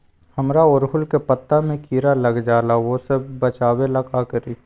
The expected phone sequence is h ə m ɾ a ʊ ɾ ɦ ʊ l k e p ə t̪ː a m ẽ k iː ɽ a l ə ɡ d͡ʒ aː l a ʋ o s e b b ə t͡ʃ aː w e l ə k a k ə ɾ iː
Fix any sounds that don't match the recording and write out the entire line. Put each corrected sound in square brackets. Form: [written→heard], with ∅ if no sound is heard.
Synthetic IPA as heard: h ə m ɾ a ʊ ɾ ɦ ʊ l k e p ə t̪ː a m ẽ k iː [ɽ→ɾ] a l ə ɡ d͡ʒ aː l a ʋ o s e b b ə t͡ʃ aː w e l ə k a k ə ɾ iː